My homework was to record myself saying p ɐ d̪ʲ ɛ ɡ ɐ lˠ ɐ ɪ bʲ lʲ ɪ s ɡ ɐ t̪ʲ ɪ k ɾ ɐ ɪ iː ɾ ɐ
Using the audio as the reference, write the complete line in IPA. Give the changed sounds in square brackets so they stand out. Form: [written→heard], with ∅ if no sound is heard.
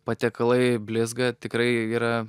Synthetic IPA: p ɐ [d̪ʲ→t̪ʲ] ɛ [ɡ→k] ɐ lˠ ɐ ɪ bʲ lʲ ɪ [s→z] ɡ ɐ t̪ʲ ɪ k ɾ ɐ ɪ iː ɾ ɐ